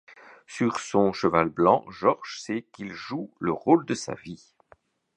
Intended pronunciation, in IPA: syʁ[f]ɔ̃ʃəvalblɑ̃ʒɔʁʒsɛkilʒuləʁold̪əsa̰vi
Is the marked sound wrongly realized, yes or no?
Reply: yes